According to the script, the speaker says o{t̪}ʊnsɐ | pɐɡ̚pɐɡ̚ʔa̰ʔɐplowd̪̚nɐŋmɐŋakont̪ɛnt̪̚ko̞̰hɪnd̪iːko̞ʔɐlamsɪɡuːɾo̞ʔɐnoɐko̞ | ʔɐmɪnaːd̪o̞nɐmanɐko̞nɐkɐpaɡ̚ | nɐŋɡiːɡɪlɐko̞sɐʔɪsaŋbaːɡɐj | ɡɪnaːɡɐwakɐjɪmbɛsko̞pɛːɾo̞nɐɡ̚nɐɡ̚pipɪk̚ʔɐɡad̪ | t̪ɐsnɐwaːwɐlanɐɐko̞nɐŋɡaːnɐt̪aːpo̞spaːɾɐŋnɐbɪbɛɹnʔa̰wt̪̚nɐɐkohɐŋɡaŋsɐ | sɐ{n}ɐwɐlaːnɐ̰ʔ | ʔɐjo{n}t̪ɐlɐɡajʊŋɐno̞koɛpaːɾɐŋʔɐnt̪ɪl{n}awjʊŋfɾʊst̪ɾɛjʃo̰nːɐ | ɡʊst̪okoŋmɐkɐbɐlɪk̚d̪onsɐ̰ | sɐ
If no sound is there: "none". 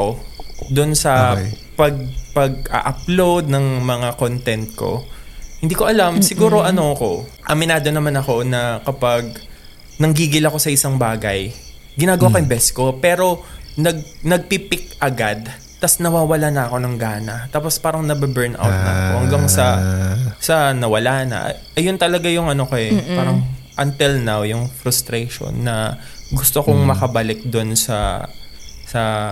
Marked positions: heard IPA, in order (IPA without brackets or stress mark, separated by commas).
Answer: d̪, n, n, n